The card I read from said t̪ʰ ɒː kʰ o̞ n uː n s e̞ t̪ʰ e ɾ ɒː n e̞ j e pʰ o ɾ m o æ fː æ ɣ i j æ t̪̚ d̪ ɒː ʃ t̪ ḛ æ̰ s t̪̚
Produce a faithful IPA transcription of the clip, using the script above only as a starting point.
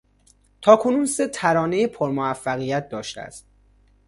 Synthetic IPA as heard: t̪ʰ ɒː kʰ o̞ n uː n s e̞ t̪ʰ æ ɾ ɒː n e̞ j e pʰ o ɾ m o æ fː æ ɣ i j æ t̪̚ d̪ ɒː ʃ t̪ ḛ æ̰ s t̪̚

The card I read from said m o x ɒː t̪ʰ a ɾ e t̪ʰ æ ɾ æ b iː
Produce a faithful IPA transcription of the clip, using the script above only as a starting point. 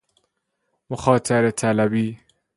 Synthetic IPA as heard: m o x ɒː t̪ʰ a ɾ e t̪ʰ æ l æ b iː

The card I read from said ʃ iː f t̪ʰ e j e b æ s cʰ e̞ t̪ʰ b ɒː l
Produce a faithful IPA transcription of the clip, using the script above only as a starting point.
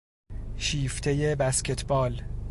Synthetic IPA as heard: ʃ iː f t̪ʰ e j e b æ s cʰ e̞ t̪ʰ b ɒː l

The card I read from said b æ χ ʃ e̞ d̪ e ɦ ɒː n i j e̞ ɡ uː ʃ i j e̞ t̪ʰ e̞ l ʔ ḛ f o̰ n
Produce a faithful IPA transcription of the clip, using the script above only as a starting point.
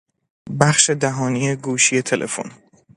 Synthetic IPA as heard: b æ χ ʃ e̞ d̪ æ ɦ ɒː n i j e̞ ɡ uː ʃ i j e̞ t̪ʰ e̞ l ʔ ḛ f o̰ n

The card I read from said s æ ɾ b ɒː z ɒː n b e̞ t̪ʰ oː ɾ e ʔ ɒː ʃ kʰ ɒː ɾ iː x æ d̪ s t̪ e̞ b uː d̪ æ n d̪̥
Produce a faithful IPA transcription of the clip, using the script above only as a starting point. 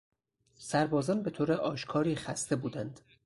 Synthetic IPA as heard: s æ ɾ b ɒː z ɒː n b e̞ t̪ʰ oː ɾ e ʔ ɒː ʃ kʰ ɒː ɾ iː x æ s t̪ e̞ b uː d̪ æ n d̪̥

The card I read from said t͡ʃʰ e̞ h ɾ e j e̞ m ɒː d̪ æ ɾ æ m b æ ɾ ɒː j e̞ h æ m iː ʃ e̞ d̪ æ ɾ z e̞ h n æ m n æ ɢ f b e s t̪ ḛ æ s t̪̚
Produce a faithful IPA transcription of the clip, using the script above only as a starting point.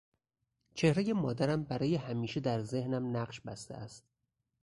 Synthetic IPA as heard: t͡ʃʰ e̞ h ɾ e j e̞ m ɒː d̪ æ ɾ æ m b æ ɾ ɒː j e̞ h æ m iː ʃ e̞ d̪ æ ɾ z e̞ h n æ m n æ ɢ ʃ b æ s t̪ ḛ æ s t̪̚

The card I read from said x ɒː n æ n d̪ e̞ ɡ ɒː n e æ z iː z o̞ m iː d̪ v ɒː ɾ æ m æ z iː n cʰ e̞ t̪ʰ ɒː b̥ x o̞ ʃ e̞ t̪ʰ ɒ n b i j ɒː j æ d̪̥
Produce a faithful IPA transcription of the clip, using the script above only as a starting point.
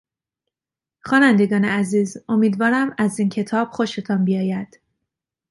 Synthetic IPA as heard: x ɒː n æ n d̪ e̞ ɡ ɒː n e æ z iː z o̞ m iː d̪ v ɒː ɾ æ m æ z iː n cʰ e̞ t̪ʰ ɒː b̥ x o̞ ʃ e̞ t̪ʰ ɒ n b i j ɒː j æ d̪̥

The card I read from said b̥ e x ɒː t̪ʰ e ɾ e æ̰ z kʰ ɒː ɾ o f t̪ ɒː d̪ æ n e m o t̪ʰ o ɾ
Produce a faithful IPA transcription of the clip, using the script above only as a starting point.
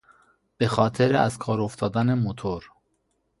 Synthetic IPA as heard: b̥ e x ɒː t̪ʰ e ɾ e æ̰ z kʰ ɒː ɾ o f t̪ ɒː d̪ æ n e m o t̪ʰ o ɾ

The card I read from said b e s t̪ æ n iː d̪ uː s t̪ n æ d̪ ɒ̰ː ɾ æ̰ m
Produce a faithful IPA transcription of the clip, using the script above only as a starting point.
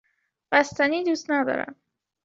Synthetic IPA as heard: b æ s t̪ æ n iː d̪ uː s t̪ n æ d̪ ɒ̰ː ɾ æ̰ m

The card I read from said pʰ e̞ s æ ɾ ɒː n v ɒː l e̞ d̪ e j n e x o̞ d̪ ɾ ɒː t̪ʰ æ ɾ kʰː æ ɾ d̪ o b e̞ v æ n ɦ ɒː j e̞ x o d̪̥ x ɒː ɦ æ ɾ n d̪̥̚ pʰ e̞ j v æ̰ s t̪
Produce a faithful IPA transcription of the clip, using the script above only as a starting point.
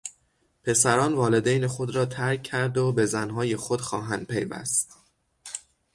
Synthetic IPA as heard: pʰ e̞ s æ ɾ ɒː n v ɒː l e̞ d̪ e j n e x o̞ d̪ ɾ ɒː t̪ʰ æ ɾ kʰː æ ɾ d̪ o b e̞ z æ n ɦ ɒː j e̞ x o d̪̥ x ɒː ɦ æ n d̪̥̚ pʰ e̞ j v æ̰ s t̪

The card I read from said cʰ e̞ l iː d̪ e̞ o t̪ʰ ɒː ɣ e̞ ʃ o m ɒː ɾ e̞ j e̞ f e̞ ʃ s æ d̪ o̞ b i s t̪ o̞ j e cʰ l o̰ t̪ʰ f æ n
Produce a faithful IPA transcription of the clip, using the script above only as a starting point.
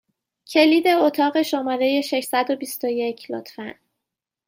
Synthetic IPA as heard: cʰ e̞ l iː d̪ e̞ o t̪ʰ ɒː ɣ e̞ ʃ o m ɒː ɾ e̞ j e̞ ʃ e̞ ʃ s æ d̪ o̞ b i s t̪ o̞ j e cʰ l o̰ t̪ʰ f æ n

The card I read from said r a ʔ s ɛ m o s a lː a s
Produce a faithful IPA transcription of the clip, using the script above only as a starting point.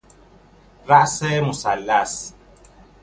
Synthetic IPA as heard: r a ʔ s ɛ m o s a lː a s

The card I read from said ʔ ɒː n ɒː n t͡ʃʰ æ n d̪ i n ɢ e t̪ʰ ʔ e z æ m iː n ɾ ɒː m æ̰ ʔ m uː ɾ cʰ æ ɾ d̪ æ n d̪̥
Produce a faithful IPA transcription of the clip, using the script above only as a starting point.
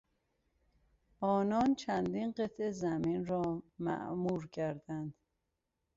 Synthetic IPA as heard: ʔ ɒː n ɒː n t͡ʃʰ æ n d̪ i n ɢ e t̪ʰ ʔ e z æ m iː n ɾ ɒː m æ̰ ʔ m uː ɾ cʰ æ ɾ d̪ æ n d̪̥

